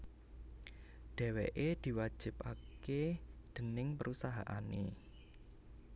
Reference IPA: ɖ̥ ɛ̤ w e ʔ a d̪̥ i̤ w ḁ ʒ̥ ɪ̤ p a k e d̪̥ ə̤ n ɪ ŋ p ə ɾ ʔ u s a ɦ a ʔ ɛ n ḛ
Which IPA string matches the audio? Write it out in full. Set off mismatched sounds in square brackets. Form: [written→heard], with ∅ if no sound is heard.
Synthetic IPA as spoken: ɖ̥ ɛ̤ w e ʔ [a→e] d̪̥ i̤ w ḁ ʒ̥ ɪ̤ p a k e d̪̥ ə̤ n ɪ ŋ p ə ɾ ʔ u s a ɦ a ʔ [ɛ→a] n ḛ